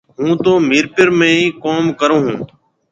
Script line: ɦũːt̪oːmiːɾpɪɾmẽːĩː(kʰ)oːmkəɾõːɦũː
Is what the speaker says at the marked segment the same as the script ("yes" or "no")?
no